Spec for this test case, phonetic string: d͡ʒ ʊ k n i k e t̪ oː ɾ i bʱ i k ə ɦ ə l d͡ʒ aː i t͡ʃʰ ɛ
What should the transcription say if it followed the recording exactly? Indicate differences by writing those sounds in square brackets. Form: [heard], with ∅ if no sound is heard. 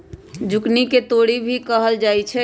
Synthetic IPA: d͡ʒ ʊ k n i k e t̪ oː [ɽ] i bʱ i k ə ɦ ə l d͡ʒ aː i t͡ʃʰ ɛ